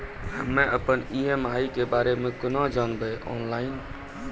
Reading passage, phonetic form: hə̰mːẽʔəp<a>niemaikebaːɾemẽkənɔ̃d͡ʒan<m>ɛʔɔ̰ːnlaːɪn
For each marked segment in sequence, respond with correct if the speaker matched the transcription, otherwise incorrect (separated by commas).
incorrect, incorrect